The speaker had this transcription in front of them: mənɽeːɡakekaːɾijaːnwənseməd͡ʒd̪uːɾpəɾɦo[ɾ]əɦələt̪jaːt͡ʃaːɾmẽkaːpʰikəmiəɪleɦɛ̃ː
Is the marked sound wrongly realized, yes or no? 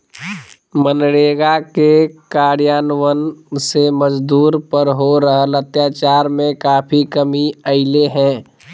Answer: no